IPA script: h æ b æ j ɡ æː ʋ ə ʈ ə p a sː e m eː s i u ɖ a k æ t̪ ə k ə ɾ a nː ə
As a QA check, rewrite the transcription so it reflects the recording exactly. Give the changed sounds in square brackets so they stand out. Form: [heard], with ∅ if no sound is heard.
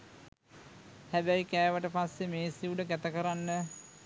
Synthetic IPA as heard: h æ b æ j [k] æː ʋ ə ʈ ə p a sː e m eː s i u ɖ [ə] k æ t̪ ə k ə ɾ a nː ə